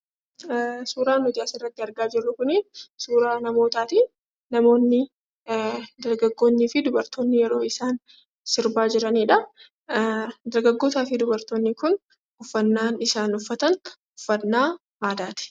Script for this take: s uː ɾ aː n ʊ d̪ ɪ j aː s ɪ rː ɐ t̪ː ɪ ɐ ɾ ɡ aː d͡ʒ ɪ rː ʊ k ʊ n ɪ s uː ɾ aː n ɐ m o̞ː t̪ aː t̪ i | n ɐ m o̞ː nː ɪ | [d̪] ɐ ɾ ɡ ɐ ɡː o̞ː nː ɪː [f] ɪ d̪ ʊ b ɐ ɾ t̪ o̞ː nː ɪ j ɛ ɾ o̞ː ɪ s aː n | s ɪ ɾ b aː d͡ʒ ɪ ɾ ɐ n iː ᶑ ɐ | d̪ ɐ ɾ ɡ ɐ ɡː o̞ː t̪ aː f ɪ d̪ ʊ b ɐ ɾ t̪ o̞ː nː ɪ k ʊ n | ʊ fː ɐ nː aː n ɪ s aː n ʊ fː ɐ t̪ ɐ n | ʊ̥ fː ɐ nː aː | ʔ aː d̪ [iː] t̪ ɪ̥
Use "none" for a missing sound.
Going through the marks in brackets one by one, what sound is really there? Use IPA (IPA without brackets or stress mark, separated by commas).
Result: d̪, f, aː